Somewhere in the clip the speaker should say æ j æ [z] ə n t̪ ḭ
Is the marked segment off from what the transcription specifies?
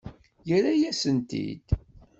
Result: yes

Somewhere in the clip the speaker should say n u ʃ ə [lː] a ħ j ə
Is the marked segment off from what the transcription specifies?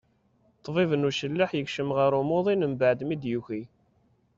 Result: no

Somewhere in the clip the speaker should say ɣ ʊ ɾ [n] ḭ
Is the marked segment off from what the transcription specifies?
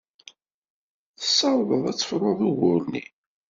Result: no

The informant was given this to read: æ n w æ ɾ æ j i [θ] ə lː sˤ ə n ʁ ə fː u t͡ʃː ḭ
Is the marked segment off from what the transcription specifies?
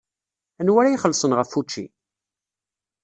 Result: yes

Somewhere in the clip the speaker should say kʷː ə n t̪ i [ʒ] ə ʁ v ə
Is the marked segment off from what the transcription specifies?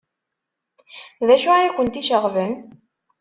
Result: yes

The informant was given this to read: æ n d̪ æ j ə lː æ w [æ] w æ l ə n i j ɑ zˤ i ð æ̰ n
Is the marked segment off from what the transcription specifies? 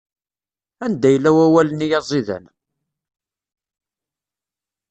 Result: no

